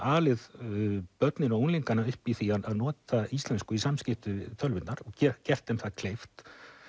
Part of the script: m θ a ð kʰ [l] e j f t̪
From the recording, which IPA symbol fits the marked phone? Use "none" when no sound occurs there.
l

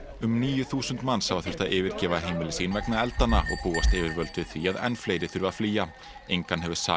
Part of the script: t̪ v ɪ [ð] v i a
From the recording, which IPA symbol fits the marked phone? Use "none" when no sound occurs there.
θ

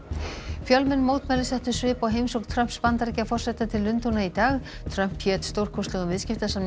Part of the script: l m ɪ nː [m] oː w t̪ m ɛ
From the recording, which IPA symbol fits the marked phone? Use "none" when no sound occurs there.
m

